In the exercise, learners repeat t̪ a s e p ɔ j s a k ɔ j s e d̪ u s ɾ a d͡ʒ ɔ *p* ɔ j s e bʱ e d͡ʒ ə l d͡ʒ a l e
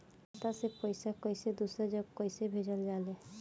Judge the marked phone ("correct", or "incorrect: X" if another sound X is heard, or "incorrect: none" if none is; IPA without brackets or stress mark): incorrect: k